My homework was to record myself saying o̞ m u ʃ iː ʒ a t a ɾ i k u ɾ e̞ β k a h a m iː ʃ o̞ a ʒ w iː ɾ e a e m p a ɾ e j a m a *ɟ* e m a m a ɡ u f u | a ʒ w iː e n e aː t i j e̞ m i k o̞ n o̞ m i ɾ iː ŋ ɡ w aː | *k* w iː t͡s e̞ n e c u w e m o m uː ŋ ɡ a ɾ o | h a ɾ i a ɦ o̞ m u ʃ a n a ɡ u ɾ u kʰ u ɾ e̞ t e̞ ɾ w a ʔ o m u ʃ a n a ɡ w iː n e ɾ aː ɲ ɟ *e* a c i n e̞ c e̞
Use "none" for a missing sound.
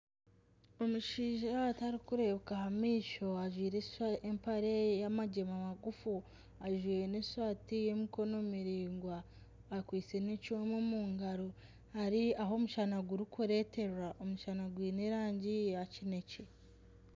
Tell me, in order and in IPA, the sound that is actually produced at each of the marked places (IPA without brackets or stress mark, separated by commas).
ɟ, k, i